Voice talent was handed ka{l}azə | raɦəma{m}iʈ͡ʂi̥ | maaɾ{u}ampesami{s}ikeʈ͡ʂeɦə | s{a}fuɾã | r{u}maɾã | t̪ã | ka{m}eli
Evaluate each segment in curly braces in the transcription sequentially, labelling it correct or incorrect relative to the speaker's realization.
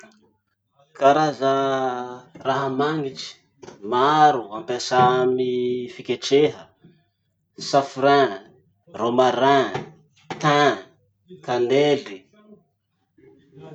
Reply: incorrect, incorrect, correct, incorrect, correct, incorrect, incorrect

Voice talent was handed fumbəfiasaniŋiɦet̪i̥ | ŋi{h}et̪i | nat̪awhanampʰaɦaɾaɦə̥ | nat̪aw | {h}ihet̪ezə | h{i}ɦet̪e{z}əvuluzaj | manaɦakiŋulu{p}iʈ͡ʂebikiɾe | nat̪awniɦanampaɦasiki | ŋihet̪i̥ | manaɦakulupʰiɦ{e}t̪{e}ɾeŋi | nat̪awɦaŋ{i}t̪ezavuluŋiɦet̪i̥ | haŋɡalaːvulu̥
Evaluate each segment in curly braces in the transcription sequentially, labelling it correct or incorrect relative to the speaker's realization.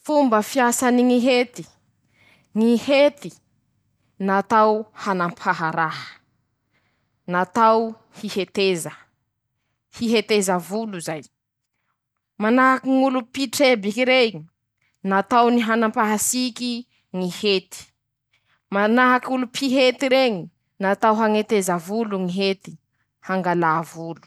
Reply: correct, correct, correct, correct, correct, correct, incorrect, incorrect

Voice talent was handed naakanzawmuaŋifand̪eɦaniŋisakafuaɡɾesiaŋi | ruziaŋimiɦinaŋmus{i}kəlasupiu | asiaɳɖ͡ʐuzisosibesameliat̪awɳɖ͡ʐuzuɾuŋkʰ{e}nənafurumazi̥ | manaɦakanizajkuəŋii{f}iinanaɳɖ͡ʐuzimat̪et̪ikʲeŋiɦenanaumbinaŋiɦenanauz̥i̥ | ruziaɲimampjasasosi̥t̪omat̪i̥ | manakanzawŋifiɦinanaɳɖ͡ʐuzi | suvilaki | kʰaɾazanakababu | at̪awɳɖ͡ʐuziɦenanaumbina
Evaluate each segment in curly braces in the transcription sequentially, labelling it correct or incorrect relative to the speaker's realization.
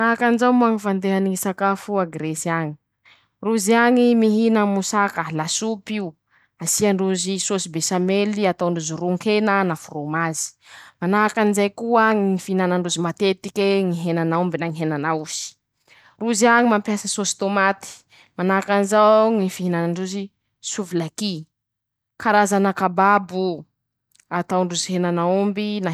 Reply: incorrect, correct, correct

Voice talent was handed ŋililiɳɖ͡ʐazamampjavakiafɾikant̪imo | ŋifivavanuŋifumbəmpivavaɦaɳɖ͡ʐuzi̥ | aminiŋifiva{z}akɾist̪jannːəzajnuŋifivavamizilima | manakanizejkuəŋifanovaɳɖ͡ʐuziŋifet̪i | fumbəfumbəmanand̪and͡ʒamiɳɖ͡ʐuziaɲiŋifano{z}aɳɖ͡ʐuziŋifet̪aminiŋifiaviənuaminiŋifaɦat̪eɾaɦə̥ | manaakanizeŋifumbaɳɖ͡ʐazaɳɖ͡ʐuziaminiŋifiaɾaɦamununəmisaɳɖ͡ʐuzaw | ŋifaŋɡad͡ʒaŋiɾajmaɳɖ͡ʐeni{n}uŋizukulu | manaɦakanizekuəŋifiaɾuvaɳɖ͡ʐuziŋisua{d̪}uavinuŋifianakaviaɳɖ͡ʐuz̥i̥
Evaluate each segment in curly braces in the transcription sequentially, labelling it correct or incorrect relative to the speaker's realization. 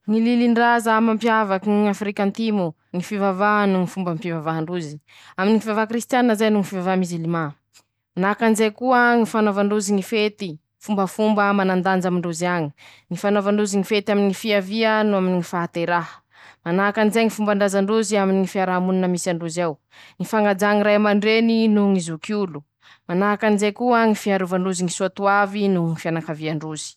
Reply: incorrect, incorrect, correct, incorrect

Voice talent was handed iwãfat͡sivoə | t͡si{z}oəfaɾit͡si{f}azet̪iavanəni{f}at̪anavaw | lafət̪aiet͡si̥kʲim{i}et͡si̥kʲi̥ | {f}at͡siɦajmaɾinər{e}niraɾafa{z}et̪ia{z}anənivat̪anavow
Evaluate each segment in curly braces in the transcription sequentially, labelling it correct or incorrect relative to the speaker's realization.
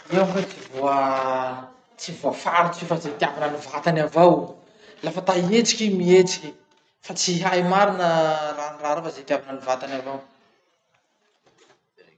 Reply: incorrect, correct, incorrect, correct, correct, incorrect, correct, incorrect

